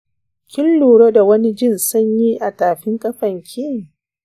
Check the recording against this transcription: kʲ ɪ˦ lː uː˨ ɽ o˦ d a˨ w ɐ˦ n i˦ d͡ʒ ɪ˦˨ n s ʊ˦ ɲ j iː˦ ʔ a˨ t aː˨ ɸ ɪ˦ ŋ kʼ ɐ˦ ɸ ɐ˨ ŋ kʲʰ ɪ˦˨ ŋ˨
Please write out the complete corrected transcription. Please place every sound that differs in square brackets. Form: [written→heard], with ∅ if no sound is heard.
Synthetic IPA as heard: kʲ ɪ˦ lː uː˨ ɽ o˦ d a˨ w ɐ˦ n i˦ d͡ʒ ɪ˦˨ n s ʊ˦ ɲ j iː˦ ʔ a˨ t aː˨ ɸ ɪ˦ ŋ kʼ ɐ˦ ɸ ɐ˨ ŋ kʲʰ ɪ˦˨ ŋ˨